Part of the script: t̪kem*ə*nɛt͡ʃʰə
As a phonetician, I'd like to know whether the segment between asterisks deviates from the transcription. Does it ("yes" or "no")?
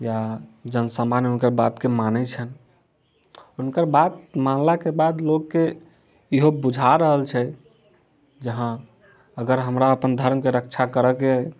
yes